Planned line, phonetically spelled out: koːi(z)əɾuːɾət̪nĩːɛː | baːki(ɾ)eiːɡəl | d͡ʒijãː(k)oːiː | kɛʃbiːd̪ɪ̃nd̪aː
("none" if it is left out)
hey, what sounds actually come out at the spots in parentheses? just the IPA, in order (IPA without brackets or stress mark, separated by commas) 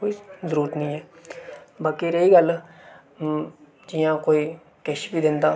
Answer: z, ɾ, k